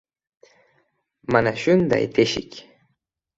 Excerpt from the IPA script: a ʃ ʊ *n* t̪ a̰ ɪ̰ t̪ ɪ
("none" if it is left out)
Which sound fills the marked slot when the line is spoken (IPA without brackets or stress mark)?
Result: n